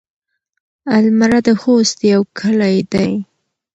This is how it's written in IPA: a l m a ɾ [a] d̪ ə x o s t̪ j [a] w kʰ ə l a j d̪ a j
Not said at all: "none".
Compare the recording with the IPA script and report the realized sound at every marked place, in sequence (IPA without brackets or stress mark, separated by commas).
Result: a, a